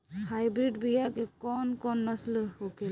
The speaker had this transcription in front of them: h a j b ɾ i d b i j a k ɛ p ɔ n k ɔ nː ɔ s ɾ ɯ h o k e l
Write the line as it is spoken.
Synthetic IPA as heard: h a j b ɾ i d b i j a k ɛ k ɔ n k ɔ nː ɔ s l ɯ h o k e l